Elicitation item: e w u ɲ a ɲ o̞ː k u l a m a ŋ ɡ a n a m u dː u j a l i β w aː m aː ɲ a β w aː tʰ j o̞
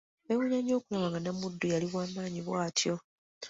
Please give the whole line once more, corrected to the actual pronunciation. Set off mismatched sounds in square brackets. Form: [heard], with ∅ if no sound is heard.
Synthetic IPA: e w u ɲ a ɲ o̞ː k u l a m a ŋ ɡ a n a m u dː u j a l i β w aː m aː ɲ [i] β w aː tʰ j o̞